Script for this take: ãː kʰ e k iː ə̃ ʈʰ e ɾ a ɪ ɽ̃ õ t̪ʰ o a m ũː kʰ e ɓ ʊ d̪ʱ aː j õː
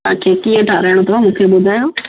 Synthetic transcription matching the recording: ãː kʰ e k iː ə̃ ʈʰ a ɾ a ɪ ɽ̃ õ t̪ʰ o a m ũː kʰ e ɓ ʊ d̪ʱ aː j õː